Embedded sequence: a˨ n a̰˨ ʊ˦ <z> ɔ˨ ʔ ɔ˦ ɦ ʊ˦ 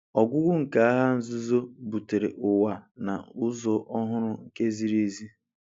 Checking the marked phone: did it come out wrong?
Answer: no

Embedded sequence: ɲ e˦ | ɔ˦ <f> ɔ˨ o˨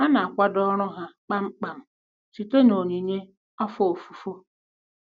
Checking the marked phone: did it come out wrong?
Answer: no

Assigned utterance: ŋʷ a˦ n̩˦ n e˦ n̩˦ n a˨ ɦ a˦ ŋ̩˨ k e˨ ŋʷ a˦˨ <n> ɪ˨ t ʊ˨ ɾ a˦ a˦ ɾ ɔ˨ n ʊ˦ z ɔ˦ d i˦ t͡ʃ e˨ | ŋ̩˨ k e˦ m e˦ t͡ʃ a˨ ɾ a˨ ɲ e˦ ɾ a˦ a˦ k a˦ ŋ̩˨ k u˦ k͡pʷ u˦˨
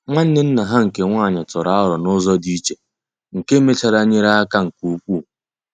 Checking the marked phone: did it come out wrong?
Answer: yes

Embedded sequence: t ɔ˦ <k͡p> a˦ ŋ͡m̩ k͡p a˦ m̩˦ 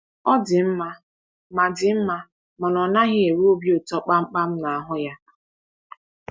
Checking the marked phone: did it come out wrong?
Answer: no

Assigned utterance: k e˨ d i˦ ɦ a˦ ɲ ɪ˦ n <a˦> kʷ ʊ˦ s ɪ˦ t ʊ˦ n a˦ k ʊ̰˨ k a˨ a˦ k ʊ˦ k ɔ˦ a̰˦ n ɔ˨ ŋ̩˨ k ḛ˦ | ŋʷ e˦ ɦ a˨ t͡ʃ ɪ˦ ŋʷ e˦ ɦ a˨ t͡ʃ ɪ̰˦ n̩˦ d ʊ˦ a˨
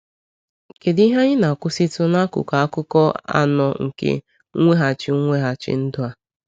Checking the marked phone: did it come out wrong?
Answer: yes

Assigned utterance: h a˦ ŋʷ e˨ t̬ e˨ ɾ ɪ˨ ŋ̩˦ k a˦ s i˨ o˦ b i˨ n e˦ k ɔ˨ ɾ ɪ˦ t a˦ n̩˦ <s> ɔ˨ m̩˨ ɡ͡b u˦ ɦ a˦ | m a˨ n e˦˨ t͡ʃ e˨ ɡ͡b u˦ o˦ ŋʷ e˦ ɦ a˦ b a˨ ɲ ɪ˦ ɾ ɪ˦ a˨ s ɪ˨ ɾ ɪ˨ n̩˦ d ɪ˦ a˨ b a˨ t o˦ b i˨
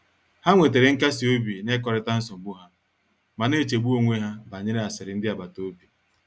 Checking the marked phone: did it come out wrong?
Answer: no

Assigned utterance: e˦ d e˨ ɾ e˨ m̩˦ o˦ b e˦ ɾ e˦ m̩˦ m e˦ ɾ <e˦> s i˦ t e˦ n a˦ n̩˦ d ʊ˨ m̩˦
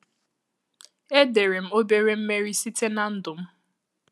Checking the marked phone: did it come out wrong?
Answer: yes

